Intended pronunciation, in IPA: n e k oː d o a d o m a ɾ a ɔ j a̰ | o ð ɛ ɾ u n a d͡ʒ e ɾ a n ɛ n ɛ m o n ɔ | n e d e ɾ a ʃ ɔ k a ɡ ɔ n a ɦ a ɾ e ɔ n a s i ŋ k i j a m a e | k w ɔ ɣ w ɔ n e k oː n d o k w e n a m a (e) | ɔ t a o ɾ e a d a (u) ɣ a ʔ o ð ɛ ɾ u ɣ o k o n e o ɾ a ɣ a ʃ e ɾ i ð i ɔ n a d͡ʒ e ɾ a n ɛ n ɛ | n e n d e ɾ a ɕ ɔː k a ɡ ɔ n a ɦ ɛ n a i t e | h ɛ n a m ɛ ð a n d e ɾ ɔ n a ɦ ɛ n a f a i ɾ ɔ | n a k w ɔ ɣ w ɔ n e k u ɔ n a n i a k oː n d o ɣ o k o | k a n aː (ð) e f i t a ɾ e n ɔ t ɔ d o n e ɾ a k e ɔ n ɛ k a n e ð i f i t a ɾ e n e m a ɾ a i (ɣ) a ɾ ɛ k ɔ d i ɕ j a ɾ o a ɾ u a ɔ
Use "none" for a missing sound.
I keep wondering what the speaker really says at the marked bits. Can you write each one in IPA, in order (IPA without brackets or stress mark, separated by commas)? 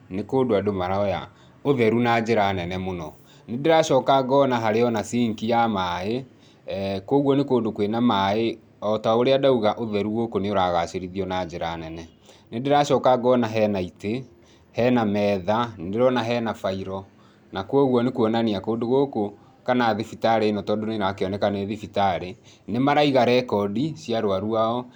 e, u, ð, ɣ